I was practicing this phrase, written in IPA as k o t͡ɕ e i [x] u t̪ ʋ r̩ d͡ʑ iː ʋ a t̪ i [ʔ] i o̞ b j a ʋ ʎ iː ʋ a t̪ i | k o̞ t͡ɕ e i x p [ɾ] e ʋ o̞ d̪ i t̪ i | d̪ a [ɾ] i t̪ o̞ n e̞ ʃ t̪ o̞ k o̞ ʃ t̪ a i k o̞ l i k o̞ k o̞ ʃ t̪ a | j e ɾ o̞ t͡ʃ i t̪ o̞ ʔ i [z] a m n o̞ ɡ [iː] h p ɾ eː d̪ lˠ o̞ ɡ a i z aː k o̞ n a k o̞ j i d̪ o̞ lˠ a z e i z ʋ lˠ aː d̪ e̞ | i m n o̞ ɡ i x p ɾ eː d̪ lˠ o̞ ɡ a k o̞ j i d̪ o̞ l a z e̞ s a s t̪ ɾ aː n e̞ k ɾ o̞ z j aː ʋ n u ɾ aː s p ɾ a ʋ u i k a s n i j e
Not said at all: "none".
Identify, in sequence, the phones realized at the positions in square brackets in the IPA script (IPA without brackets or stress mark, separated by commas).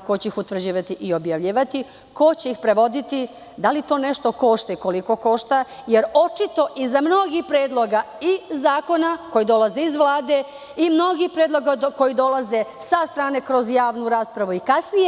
x, ʔ, ɾ, l, z, i